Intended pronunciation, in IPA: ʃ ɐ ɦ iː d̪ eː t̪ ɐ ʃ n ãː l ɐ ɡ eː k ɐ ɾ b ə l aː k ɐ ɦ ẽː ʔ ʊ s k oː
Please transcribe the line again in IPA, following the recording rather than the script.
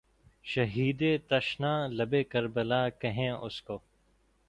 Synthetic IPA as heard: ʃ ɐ ɦ iː d̪ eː t̪ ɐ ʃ n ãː l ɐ b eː k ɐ ɾ b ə l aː k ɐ ɦ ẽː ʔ ʊ s k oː